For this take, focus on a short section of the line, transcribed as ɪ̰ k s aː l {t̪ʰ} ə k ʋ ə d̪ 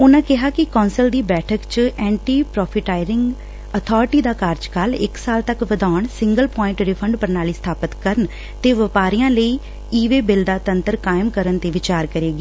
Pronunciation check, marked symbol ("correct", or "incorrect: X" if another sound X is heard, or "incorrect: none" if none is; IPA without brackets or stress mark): incorrect: t̪